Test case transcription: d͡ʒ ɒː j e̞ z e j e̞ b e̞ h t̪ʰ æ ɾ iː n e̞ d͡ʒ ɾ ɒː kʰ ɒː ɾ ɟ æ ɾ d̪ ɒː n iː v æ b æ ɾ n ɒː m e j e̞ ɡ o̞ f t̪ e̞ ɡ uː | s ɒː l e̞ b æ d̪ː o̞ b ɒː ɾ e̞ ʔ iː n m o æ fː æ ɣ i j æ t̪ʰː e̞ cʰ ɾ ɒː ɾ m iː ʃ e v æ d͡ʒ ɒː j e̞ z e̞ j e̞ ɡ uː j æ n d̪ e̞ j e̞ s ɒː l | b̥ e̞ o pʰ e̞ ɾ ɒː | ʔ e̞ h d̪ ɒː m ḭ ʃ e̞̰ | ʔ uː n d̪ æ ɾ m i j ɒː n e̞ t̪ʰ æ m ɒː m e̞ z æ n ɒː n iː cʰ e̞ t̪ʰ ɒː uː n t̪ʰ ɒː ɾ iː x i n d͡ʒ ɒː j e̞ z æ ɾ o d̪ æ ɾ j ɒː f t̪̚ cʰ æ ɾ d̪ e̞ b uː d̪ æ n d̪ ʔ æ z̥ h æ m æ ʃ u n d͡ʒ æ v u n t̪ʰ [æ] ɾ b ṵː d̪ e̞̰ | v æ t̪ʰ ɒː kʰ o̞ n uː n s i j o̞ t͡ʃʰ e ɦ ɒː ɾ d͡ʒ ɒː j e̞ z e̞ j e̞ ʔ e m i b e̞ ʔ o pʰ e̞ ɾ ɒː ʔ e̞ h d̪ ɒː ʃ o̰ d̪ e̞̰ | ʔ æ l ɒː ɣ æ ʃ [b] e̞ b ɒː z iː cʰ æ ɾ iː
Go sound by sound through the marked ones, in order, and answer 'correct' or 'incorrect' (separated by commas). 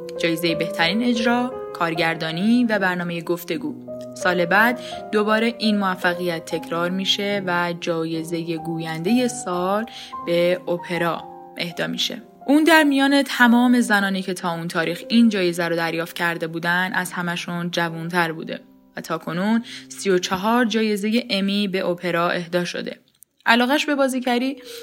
correct, correct